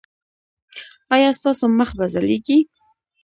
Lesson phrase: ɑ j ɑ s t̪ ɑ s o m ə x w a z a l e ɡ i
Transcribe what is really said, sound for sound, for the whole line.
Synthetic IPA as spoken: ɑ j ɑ s t̪ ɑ s o m ə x b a z a l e ɡ i